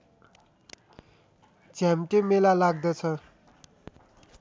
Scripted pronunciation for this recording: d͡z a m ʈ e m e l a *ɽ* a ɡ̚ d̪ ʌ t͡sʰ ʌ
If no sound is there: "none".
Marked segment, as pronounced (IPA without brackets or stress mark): l